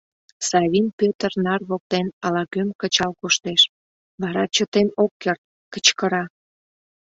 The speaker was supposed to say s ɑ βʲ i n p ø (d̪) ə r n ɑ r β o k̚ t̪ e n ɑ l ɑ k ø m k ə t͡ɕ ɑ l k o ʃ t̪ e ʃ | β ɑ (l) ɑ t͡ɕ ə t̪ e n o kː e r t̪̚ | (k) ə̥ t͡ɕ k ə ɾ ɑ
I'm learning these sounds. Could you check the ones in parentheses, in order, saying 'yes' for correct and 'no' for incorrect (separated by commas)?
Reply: no, no, yes